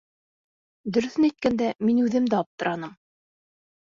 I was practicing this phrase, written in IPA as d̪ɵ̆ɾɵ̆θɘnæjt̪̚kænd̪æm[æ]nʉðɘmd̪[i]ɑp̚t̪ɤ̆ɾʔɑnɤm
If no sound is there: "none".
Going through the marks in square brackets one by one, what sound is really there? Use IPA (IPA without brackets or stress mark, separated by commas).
i, æ